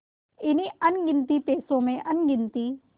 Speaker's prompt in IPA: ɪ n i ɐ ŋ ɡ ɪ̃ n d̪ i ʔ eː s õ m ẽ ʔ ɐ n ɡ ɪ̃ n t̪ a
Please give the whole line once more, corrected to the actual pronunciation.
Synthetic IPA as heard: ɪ n i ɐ n ɡ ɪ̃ n t̪ i p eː s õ m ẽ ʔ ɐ n ɡ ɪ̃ n t̪ i